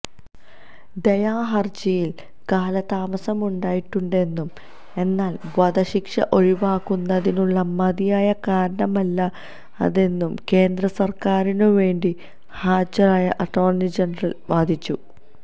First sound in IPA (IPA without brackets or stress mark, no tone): d̪